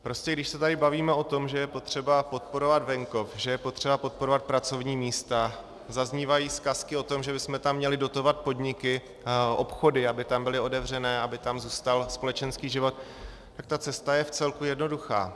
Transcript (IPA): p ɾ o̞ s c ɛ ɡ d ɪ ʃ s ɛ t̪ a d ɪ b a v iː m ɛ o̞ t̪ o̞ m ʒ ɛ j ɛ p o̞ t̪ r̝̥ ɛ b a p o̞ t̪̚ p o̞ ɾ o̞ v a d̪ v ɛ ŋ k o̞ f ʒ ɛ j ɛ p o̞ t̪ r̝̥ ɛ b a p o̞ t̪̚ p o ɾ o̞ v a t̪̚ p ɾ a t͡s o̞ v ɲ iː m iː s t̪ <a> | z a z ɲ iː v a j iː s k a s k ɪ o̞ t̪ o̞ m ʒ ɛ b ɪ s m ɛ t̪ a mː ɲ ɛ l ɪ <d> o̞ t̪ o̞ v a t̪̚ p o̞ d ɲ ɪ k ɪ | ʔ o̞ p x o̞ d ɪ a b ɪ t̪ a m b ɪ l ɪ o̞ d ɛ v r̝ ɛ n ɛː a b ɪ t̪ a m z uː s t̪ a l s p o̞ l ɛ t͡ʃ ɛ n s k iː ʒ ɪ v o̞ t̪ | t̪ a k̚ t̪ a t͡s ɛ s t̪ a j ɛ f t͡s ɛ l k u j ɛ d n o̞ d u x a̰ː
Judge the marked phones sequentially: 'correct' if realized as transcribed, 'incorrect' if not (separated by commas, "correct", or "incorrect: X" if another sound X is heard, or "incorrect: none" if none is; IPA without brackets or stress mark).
correct, correct